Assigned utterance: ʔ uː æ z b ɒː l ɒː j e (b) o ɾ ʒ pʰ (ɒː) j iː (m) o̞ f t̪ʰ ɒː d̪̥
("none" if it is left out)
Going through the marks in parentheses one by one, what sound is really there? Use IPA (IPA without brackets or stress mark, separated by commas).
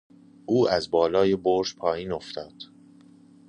b, ɒː, n